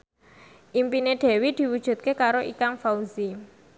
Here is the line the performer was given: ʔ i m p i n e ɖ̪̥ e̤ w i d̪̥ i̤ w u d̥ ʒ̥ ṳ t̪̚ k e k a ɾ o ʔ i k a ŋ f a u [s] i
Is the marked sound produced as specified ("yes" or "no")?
no